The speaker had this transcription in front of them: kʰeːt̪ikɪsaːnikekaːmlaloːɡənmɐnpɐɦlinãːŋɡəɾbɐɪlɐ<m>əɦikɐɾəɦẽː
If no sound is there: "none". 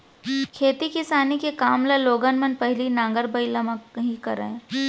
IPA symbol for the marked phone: m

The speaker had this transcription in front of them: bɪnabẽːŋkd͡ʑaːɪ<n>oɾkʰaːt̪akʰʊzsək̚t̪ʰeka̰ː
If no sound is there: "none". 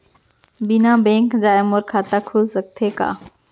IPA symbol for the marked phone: m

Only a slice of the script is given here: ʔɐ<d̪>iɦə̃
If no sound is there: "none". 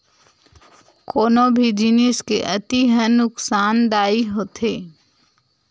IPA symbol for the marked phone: t̪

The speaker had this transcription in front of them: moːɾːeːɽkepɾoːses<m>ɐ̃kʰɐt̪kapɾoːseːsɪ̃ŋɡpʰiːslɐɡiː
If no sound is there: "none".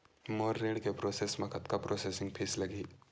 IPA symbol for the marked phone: m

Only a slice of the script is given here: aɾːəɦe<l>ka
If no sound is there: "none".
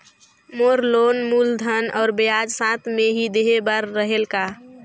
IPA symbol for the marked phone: l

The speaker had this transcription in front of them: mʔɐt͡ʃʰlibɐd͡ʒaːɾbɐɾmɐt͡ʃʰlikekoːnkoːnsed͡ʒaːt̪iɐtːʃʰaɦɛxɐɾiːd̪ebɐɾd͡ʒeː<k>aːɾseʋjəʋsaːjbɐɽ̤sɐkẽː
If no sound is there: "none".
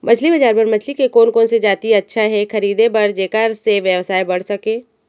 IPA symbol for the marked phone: k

